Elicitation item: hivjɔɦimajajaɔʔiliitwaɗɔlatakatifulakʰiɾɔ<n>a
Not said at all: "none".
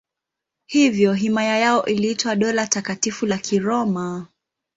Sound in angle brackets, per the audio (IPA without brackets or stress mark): m